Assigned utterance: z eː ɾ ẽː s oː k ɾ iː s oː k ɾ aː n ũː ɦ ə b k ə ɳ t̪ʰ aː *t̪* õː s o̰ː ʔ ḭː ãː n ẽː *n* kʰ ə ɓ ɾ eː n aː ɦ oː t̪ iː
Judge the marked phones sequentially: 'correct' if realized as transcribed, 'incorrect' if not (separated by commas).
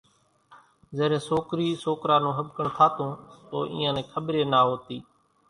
correct, incorrect